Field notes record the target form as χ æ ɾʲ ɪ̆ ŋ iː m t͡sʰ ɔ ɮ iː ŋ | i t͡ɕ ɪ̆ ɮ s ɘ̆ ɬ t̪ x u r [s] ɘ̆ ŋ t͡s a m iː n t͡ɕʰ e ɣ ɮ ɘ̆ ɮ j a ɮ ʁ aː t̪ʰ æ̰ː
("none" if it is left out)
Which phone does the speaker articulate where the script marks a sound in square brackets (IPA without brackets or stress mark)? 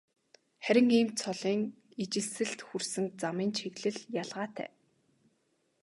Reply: s